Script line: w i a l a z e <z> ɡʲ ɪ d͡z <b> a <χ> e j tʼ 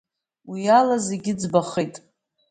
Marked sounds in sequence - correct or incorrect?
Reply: incorrect: none, correct, correct

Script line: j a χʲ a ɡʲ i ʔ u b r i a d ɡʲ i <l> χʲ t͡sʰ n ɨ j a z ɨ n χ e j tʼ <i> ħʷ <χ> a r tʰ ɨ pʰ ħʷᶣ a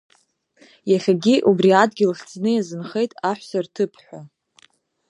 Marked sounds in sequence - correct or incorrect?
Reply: correct, incorrect: a, incorrect: s

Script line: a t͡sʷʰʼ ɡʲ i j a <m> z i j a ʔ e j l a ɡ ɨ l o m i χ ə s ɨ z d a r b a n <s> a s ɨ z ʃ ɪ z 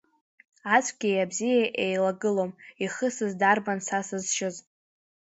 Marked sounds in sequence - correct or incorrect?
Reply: incorrect: b, correct

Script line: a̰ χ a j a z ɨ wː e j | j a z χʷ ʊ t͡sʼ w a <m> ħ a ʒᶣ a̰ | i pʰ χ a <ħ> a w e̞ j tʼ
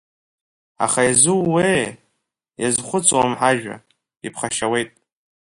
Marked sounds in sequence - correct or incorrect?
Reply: correct, incorrect: ʃ

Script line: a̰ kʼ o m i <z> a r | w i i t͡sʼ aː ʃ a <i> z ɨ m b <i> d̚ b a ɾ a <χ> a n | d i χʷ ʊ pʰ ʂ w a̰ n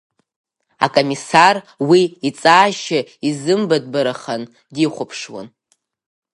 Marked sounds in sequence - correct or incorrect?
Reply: incorrect: s, correct, incorrect: a, correct

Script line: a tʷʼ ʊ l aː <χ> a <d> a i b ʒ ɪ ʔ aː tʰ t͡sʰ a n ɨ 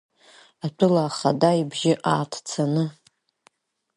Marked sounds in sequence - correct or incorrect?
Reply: correct, correct

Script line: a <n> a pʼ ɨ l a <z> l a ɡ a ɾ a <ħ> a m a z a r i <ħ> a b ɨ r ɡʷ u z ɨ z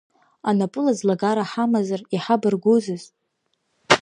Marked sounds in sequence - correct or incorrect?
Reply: correct, correct, correct, correct

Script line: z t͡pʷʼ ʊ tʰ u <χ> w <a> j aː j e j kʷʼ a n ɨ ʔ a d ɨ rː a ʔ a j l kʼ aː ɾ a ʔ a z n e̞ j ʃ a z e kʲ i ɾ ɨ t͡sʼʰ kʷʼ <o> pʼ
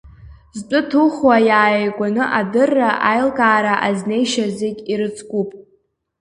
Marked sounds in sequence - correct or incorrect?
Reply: correct, correct, incorrect: u

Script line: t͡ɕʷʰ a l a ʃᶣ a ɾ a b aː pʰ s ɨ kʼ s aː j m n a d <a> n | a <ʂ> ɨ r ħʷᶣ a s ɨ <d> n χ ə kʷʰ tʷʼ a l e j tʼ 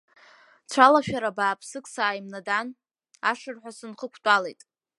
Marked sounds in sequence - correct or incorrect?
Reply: correct, correct, incorrect: none

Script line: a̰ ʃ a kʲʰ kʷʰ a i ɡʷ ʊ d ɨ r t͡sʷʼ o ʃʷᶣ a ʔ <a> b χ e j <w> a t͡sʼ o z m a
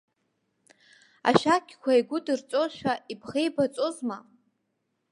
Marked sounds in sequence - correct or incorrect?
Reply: incorrect: i, incorrect: b

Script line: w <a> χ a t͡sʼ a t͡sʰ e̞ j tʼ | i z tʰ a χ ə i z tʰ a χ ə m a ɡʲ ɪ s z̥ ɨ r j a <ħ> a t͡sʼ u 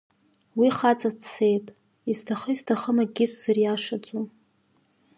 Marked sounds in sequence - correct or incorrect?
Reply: incorrect: i, incorrect: ʂ

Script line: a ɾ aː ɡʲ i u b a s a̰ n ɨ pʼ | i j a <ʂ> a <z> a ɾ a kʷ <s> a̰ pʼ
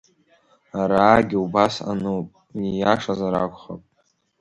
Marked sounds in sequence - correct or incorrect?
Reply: correct, correct, incorrect: χ

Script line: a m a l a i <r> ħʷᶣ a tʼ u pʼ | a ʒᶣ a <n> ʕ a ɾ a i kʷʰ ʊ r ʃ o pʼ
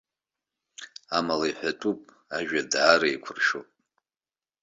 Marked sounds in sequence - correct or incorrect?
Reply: incorrect: none, incorrect: d

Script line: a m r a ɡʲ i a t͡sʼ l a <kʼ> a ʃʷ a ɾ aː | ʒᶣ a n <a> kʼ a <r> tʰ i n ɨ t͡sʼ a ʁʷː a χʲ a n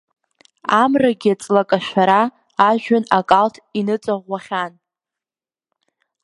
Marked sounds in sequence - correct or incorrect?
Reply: correct, correct, incorrect: l

